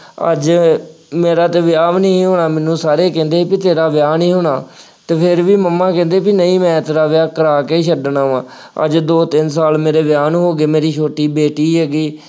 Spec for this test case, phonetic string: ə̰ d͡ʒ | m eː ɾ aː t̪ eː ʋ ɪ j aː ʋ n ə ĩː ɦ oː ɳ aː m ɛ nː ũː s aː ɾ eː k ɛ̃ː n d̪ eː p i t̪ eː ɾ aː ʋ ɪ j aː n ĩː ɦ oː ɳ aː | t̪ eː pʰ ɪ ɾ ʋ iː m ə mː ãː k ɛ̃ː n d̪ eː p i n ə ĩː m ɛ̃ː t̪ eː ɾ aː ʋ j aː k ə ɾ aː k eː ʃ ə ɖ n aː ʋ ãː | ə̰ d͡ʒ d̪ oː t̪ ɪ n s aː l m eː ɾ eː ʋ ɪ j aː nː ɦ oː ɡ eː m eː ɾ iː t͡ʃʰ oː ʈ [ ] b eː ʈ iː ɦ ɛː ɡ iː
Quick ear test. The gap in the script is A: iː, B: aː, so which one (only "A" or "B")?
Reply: A